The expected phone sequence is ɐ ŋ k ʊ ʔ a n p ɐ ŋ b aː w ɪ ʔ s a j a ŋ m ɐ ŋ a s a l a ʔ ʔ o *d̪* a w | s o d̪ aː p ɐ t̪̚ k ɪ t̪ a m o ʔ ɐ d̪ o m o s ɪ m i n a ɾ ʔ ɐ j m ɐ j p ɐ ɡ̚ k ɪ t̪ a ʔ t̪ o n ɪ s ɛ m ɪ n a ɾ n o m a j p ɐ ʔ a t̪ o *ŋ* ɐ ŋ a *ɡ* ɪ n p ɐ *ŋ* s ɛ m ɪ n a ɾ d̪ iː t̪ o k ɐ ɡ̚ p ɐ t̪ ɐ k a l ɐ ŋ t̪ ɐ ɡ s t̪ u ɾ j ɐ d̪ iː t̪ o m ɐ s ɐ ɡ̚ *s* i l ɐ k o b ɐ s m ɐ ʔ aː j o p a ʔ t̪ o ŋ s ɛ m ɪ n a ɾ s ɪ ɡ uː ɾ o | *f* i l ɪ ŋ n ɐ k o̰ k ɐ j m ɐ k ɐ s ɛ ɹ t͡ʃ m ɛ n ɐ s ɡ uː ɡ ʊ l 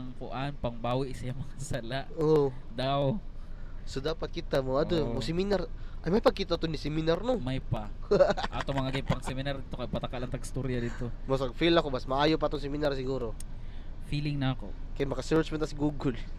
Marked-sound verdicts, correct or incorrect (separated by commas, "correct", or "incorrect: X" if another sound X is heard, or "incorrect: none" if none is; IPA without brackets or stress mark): correct, incorrect: m, correct, correct, incorrect: f, correct